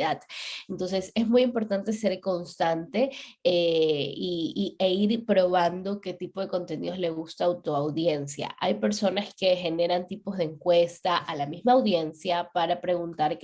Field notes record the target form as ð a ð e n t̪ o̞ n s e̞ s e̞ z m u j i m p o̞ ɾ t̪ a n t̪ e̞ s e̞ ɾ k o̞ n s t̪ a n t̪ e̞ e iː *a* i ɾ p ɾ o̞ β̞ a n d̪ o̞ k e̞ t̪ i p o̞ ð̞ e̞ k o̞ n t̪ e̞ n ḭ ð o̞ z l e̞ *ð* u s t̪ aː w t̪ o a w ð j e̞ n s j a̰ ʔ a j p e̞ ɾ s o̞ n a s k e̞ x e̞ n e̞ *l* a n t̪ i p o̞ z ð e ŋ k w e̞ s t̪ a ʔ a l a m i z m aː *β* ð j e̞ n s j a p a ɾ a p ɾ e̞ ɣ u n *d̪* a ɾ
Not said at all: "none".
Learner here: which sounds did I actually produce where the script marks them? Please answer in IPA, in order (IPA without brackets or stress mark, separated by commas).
e, ɣ, ɾ, w, t̪